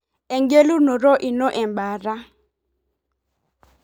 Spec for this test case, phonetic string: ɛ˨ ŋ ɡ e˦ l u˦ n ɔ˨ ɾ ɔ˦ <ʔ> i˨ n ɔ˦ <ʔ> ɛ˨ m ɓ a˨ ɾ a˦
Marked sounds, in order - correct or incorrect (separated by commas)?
correct, correct